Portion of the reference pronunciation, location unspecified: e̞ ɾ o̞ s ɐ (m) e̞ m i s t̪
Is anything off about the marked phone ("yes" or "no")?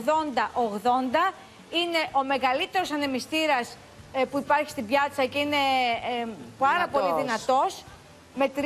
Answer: yes